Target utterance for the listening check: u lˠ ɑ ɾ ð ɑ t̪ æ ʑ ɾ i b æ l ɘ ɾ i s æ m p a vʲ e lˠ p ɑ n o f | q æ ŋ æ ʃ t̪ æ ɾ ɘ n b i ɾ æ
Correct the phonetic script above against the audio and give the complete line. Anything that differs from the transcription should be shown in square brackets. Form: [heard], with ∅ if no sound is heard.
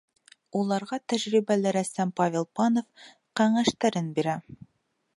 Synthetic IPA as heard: u lˠ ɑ ɾ [ʁ] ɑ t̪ æ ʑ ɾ i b æ l ɘ ɾ [æ] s æ m p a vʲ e lˠ p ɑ n o f | q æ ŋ æ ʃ t̪ æ ɾ ɘ n b i ɾ æ